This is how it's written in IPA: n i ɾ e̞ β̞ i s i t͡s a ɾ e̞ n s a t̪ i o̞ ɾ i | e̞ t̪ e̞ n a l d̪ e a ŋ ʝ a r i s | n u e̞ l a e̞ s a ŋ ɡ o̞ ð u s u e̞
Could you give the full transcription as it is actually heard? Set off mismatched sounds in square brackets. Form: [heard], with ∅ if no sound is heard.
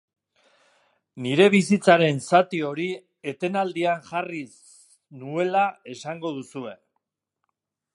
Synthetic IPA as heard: n i ɾ e̞ β̞ i s i t͡s a ɾ e̞ n s a t̪ i o̞ ɾ i | e̞ t̪ e̞ n a l d̪ [i] a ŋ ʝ a r i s | n u e̞ l a e̞ s a ŋ ɡ o̞ ð u s u e̞